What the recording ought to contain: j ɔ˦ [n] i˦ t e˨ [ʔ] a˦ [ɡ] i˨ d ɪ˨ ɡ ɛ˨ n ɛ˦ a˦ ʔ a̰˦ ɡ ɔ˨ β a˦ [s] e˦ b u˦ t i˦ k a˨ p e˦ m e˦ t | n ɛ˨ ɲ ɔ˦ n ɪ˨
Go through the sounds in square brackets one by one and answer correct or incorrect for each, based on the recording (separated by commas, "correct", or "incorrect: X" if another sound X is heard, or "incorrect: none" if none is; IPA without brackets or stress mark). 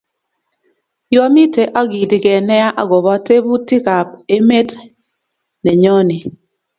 incorrect: m, correct, correct, incorrect: t